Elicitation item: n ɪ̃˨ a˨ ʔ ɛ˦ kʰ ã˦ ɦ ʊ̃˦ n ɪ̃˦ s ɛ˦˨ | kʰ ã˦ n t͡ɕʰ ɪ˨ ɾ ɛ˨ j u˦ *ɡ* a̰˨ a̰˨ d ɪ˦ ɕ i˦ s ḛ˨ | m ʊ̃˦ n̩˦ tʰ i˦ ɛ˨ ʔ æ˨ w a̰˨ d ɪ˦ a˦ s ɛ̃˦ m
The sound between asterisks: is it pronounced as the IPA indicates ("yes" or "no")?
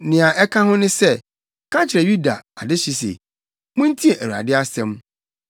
no